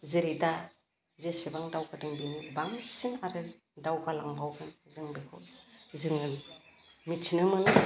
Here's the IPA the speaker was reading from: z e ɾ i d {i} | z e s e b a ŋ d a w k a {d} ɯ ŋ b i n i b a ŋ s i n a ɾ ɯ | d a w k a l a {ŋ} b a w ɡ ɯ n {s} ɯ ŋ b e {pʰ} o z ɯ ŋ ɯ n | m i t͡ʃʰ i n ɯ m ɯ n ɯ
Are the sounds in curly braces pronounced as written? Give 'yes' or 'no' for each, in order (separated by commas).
no, yes, yes, no, no